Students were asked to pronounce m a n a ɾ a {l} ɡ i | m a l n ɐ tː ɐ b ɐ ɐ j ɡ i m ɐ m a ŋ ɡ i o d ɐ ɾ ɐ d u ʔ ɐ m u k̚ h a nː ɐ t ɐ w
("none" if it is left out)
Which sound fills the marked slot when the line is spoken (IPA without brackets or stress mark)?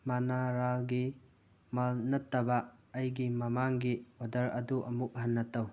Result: l